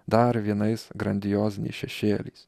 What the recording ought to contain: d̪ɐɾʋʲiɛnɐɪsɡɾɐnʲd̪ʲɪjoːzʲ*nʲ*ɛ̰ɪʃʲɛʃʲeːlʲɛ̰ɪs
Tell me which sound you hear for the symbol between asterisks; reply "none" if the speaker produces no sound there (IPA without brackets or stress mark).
nʲ